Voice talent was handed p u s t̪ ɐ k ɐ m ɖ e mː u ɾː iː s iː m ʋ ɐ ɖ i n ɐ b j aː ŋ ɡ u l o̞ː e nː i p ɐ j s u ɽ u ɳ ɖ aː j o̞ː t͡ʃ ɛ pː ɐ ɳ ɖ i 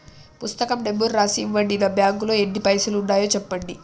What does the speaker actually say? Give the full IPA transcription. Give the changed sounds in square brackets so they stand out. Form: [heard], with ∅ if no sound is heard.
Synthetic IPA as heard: p u s t̪ ɐ k ɐ m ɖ e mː u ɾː [aː] s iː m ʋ ɐ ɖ i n ɐ b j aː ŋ ɡ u l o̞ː e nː i p ɐ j s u [l] u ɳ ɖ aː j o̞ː t͡ʃ ɛ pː ɐ ɳ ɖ i